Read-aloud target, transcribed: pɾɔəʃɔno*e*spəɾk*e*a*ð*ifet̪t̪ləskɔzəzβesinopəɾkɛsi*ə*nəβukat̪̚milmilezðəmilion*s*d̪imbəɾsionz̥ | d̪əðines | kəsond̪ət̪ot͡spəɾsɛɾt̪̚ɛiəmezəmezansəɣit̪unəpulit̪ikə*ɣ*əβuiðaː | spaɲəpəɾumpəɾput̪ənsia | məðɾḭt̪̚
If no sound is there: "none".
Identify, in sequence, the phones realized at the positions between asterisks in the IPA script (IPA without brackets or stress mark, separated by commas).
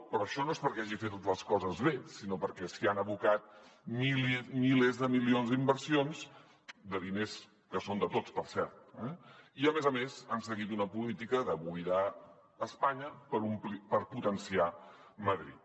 e, ɛ, ʒ, a, z, ð